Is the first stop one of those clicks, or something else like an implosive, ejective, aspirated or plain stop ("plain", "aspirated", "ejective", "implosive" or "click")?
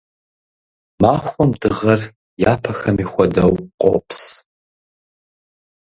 plain